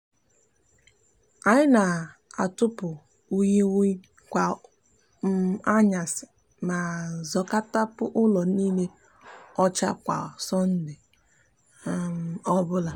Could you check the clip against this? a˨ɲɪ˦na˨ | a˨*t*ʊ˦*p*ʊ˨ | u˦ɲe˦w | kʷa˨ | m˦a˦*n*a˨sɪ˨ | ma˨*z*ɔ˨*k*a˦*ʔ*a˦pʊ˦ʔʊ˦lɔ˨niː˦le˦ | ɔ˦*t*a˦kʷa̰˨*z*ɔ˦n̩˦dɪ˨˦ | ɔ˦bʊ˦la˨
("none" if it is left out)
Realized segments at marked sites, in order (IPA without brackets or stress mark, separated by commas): t, p, ɲ, z, k, t, t͡ʃ, s